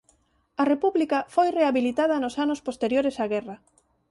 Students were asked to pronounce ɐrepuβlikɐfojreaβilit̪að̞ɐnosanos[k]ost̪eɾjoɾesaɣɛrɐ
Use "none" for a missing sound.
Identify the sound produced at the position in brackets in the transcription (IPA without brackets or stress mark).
p